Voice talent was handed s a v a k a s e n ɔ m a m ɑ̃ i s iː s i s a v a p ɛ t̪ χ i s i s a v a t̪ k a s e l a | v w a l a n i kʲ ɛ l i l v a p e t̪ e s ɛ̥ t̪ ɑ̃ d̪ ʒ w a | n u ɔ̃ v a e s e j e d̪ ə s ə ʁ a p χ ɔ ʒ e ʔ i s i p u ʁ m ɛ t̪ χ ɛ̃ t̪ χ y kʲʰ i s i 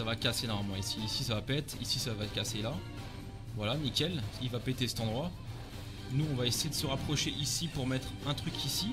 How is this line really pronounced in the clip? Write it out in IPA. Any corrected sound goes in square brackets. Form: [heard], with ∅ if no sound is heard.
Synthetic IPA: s a v a k a s e n ɔ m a m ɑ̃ i s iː s i s a v a p ɛ t̪ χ i s i s a v a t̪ k a s e l a | v w a l a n i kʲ ɛ l i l v a p e t̪ e s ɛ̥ t̪ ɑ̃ d̪ [ʁ] w a | n u ɔ̃ v a e s e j e d̪ ə s ə ʁ a p χ ɔ [ʃ] e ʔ i s i p u ʁ m ɛ t̪ χ ɛ̃ t̪ χ y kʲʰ i s i